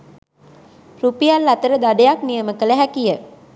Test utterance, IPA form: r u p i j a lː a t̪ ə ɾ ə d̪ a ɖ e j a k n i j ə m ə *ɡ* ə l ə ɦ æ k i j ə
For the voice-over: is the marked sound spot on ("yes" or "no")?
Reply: no